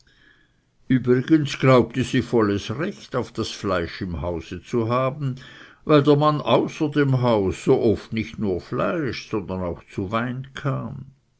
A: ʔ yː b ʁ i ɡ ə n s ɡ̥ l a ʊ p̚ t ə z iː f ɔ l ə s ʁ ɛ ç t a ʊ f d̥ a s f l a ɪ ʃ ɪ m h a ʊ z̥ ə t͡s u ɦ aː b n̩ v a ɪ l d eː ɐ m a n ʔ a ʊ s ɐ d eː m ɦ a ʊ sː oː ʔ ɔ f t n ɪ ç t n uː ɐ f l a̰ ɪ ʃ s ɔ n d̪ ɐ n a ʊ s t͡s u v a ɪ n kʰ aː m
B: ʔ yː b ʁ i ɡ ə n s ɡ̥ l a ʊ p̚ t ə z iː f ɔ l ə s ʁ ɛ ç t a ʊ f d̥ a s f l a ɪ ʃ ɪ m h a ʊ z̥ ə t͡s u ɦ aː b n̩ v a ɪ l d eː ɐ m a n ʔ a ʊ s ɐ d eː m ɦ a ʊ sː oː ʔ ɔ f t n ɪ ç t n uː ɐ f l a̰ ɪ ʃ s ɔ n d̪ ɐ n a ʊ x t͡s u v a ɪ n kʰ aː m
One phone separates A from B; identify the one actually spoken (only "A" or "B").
B